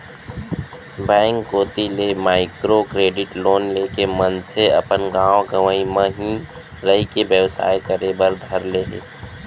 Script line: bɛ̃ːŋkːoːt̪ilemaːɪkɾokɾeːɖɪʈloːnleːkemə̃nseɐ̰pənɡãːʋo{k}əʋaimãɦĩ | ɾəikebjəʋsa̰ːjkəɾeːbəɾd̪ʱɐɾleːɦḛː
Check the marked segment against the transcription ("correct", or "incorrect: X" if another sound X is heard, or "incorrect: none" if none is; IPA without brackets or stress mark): incorrect: ɡ